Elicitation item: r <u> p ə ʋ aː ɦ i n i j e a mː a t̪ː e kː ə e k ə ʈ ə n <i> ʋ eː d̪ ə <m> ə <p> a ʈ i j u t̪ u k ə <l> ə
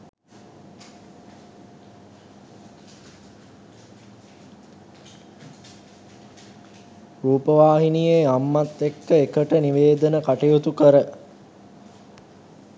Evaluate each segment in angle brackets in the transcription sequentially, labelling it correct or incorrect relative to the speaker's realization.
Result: incorrect: uː, correct, incorrect: n, incorrect: k, incorrect: ɾ

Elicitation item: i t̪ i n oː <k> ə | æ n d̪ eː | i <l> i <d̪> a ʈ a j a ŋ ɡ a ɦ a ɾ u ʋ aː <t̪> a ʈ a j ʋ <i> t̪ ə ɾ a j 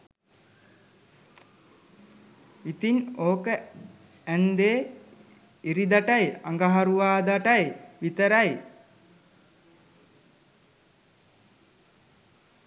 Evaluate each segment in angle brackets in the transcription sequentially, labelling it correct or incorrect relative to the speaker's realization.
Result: correct, incorrect: ɾ, correct, incorrect: d̪, correct

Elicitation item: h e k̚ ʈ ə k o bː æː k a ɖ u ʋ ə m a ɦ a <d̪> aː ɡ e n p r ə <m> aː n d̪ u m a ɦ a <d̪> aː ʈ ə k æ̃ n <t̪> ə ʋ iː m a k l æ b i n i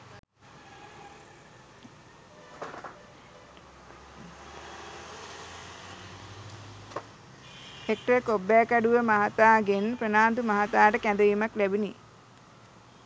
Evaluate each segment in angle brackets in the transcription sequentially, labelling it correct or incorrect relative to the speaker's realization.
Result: incorrect: t̪, incorrect: n, incorrect: t̪, incorrect: d̪

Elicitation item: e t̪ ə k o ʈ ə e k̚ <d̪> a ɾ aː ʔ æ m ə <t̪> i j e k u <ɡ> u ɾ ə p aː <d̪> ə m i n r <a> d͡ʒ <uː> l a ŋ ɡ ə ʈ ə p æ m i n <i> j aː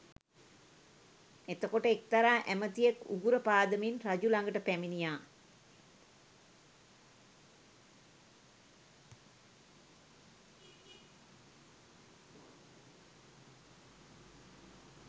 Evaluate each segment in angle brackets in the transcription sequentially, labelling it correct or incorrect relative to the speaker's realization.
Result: incorrect: t̪, correct, correct, correct, correct, incorrect: u, correct

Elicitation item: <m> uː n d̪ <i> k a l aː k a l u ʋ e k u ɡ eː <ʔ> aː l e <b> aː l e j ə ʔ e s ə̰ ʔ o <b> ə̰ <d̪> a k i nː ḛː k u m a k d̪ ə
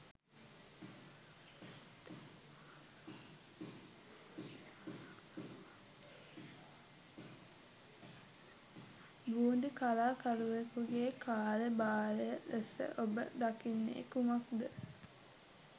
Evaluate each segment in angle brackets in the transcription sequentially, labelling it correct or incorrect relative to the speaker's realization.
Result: incorrect: b, correct, incorrect: k, correct, correct, correct

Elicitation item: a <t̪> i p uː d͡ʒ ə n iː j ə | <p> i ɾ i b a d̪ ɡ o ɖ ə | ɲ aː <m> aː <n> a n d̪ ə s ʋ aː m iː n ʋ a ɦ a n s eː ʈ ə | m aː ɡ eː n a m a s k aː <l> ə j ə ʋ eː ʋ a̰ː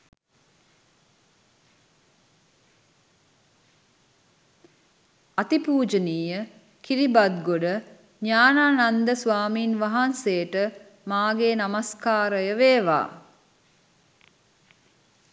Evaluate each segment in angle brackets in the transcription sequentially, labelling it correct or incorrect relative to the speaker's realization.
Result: correct, incorrect: k, incorrect: n, correct, incorrect: ɾ

